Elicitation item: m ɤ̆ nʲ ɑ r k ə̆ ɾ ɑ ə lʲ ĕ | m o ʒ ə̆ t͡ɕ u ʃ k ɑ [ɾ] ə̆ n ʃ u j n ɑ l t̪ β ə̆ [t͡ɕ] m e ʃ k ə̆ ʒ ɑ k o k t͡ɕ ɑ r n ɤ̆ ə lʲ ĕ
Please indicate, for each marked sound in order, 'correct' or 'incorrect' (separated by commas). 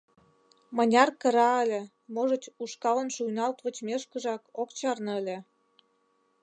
incorrect, correct